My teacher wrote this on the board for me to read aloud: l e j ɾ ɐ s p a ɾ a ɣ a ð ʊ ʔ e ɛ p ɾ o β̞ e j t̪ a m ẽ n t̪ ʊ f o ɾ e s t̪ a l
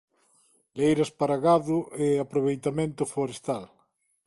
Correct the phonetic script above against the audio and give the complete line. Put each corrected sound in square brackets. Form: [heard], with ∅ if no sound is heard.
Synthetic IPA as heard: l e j ɾ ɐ s p a ɾ a ɣ a ð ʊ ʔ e [a] p ɾ o β̞ e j t̪ a m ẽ n t̪ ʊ f o ɾ e s t̪ a l